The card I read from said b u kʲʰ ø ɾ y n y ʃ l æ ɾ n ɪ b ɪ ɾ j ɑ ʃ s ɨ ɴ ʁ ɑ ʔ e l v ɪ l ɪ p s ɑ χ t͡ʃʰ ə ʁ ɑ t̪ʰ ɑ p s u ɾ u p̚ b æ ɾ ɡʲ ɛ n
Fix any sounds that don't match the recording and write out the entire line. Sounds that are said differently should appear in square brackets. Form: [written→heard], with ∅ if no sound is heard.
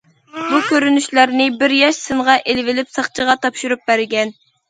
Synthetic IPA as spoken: b u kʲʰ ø ɾ y n y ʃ l æ ɾ n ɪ b ɪ ɾ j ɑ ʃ s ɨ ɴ ʁ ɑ ʔ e l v ɪ l ɪ p s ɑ χ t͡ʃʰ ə ʁ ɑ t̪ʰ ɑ p [s→ʃ] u ɾ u p̚ b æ ɾ ɡʲ ɛ n